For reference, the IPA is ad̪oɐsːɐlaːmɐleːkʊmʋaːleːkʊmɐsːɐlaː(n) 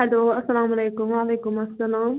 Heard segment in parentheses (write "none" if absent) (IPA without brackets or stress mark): m